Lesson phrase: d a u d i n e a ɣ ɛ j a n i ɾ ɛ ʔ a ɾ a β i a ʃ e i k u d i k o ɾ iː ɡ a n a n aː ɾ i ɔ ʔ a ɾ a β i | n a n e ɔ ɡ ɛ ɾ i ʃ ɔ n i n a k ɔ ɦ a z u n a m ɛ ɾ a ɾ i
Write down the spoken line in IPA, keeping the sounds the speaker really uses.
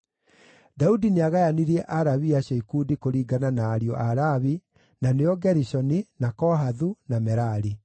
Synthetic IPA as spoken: d a u d i n e a ɣ a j a n i ɾ ɛ ʔ a ɾ a β i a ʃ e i k u d i k o ɾ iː ɡ a n a n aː ɾ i ɔ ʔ a ɾ a β i | n a n e ɔ ɡ ɛ ɾ i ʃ ɔ n i n a k ɔ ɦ a ð u n a m ɛ ɾ a ɾ i